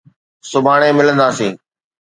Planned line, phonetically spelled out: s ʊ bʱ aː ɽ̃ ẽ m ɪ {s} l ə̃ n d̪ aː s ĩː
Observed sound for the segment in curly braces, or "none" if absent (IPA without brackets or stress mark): none